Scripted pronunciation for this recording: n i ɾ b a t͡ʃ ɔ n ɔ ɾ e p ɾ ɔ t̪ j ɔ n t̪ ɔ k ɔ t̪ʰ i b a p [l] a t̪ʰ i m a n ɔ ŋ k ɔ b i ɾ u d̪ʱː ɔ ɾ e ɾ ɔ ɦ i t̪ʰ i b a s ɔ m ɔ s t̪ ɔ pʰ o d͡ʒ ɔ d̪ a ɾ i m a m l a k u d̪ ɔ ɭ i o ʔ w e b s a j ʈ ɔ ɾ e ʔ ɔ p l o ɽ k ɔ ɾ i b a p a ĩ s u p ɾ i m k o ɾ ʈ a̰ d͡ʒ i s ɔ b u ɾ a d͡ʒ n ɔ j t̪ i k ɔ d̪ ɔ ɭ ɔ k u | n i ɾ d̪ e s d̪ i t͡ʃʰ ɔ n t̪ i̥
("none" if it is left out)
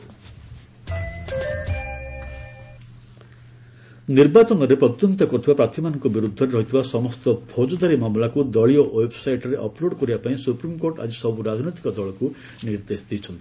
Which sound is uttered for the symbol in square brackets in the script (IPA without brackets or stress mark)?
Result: ɾ